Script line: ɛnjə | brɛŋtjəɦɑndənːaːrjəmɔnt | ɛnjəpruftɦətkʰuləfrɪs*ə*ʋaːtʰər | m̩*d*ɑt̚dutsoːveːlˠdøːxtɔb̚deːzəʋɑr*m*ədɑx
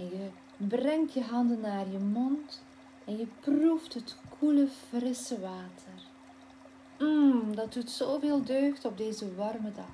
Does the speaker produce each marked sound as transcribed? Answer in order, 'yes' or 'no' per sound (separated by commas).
yes, yes, yes